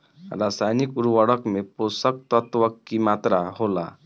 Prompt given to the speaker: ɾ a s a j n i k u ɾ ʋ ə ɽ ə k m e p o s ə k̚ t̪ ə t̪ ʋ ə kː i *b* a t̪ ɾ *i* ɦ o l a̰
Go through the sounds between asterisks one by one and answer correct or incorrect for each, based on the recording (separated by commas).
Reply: incorrect, incorrect